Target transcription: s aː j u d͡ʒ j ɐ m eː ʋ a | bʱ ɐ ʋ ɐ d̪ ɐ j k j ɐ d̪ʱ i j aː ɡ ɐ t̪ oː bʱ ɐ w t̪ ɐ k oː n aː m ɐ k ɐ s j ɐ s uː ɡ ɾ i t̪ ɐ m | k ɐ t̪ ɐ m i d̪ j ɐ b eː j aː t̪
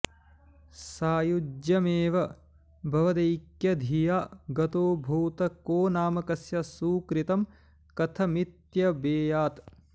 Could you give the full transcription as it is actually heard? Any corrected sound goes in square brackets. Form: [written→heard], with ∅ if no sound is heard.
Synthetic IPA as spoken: s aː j u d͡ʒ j ɐ m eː ʋ [a→ɐ] | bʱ ɐ ʋ ɐ d̪ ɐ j k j ɐ d̪ʱ i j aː ɡ ɐ t̪ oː bʱ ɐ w t̪ ɐ k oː n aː m ɐ k ɐ s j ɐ s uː [ɡ→k] ɾ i t̪ ɐ m | k ɐ [t̪→t̪ʰ] ɐ m i [d̪→t̪] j ɐ b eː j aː t̪